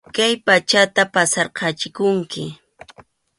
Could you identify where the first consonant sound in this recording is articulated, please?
velar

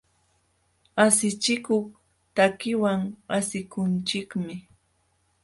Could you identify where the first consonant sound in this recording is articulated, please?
alveolar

